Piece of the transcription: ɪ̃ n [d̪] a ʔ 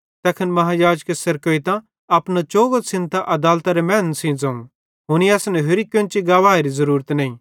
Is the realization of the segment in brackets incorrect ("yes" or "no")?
yes